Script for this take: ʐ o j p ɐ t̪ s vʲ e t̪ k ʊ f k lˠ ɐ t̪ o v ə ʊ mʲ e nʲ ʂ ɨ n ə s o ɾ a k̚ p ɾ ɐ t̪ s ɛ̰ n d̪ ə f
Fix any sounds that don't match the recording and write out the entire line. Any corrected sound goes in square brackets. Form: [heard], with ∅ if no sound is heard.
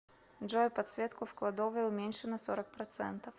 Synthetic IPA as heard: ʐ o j p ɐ t̪ s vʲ e t̪ k ʊ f k lˠ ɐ [d̪] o v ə ʊ mʲ e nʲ ʂ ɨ n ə s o ɾ [ə] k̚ p ɾ ɐ t̪ s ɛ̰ n [t̪] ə f